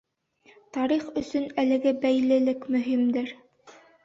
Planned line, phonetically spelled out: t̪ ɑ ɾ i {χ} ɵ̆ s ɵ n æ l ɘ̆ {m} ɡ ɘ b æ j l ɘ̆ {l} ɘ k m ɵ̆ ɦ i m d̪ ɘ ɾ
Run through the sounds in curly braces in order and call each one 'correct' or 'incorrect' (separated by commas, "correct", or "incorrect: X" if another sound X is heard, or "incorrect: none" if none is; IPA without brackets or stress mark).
correct, incorrect: none, correct